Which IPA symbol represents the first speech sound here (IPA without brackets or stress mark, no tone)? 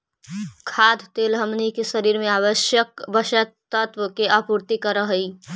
kʰ